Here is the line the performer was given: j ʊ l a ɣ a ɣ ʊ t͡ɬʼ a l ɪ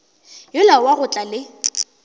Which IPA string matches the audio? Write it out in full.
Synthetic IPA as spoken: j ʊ l a w a ɣ ʊ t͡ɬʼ a l ɪ